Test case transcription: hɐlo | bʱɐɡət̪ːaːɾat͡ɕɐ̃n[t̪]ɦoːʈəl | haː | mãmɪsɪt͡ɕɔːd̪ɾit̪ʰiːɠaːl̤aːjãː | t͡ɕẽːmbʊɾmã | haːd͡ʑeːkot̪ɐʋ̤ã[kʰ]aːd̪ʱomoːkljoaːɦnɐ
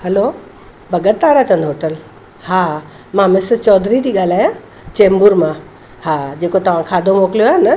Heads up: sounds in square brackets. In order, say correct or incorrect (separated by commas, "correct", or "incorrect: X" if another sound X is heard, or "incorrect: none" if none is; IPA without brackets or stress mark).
incorrect: d̪, correct